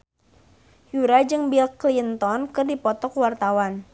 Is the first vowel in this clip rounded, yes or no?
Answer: yes